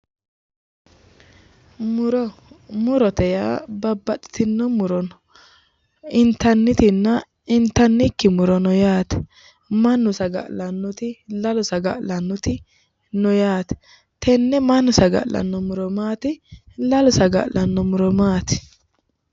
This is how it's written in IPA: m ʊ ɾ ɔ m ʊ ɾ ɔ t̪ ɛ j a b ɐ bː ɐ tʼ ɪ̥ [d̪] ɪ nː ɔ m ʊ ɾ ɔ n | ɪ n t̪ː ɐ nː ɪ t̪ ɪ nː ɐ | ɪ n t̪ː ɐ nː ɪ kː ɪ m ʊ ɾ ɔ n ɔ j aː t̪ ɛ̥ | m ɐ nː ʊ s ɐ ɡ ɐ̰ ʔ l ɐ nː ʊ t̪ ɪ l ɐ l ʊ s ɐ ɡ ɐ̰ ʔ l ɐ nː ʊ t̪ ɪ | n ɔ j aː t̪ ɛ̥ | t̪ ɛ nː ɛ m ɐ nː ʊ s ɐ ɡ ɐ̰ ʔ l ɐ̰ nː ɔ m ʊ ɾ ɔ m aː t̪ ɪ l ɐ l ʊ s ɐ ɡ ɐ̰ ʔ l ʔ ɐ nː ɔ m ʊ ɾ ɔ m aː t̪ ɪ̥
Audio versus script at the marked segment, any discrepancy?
yes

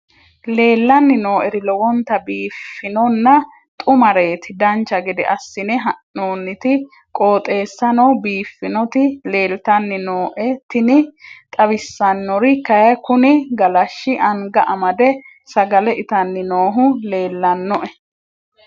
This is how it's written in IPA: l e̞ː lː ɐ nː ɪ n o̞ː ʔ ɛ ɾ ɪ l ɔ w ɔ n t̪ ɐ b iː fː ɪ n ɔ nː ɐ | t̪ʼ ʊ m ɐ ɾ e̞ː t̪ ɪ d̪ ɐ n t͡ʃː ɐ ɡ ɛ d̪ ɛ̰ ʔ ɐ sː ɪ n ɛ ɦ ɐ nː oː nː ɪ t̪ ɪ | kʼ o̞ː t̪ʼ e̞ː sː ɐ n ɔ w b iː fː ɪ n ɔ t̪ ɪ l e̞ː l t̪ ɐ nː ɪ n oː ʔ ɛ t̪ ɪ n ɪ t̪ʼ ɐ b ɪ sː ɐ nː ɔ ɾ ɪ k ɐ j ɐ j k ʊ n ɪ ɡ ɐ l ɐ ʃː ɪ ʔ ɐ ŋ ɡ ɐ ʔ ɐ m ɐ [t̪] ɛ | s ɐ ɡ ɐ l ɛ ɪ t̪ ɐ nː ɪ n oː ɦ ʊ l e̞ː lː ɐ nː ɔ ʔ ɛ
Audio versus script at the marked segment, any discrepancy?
yes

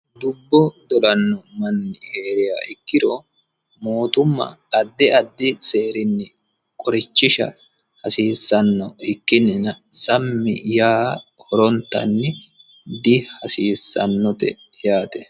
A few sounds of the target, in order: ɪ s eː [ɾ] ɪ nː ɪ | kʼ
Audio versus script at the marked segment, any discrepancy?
no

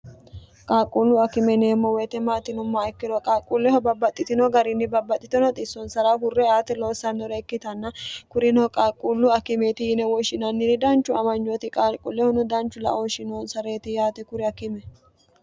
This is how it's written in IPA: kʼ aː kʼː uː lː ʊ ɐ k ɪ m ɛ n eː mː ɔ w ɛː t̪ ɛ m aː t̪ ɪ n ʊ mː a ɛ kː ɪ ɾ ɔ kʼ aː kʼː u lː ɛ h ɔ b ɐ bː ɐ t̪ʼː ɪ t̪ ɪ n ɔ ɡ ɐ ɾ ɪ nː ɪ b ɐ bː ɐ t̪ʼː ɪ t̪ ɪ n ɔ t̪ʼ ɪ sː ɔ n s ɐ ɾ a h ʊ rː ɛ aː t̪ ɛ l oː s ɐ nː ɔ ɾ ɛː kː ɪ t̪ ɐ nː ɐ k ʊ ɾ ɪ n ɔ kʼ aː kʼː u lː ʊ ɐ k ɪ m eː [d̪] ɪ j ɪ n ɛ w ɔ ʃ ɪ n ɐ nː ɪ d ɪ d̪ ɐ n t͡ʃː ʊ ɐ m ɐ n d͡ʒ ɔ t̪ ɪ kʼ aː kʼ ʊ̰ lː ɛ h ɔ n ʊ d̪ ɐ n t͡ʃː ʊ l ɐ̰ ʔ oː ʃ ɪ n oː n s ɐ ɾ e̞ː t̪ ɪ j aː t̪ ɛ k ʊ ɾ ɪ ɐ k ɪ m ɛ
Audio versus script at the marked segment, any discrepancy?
yes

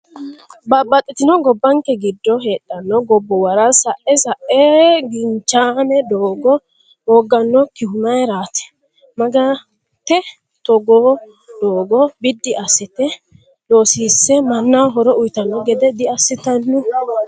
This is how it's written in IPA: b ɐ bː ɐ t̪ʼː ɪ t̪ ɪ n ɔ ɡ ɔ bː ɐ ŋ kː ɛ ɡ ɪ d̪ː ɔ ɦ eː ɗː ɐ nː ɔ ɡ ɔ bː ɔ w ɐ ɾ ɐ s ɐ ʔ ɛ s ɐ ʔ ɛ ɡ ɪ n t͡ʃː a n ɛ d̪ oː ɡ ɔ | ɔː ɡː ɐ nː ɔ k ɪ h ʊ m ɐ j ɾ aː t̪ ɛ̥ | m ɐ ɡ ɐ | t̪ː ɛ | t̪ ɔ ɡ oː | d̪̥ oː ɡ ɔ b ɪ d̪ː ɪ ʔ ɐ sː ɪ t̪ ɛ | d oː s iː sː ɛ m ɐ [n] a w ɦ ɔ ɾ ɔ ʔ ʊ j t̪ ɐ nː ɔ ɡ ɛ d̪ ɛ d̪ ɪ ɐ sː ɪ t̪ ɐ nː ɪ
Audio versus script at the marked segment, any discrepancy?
yes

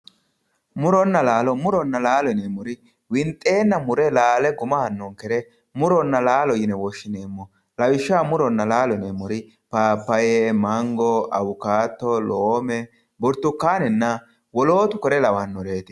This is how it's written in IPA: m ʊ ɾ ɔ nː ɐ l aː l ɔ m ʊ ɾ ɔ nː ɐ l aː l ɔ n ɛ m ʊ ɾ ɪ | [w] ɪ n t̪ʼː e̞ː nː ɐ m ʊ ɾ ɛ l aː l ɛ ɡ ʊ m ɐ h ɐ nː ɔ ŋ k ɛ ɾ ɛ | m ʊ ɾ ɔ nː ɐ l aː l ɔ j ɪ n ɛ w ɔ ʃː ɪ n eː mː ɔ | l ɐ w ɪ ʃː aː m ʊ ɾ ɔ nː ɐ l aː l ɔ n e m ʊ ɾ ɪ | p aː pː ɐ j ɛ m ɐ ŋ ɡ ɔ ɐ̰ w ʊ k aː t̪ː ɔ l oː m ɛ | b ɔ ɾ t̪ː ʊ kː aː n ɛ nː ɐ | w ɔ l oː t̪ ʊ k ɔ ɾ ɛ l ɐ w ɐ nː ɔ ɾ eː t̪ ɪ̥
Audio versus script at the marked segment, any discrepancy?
no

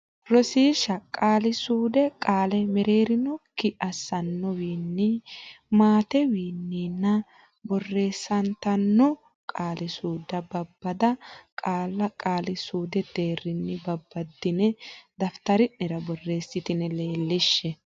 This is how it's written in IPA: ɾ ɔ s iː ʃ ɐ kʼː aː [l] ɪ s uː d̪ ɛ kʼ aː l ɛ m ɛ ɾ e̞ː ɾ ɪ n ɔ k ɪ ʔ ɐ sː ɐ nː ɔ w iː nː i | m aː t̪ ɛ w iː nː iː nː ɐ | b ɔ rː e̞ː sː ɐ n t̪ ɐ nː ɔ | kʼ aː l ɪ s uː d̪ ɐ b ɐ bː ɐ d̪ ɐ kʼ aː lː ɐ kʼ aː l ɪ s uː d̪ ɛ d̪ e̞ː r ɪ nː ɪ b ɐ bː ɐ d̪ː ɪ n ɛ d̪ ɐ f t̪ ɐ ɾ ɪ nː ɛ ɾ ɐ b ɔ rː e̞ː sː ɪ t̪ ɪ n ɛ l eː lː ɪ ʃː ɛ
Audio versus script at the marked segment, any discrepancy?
no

